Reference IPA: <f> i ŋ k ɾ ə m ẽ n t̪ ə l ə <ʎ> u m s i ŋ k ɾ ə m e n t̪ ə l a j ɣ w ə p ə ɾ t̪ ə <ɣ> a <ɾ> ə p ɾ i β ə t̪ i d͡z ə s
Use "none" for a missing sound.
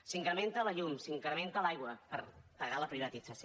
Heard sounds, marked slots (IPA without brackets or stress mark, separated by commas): s, ʎ, ɣ, l